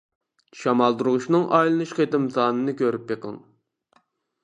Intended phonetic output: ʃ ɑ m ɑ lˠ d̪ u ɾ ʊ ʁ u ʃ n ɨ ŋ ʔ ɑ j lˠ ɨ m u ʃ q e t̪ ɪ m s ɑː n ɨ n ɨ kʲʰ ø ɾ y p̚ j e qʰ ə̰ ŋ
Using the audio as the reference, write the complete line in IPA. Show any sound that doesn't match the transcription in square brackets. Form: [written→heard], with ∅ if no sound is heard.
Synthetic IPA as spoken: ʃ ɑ m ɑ lˠ d̪ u ɾ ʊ ʁ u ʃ n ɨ ŋ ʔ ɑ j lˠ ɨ [m→n] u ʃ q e t̪ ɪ m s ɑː n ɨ n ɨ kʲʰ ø ɾ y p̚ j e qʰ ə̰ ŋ